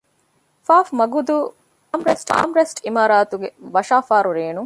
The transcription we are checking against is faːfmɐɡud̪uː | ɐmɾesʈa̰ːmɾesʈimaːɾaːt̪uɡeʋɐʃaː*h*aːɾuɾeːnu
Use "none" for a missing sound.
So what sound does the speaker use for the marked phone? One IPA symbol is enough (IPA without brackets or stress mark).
f